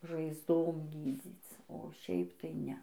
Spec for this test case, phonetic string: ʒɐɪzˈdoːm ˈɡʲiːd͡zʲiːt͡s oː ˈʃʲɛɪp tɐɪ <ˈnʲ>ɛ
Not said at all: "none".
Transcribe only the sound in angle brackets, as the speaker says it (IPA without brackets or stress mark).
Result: nʲ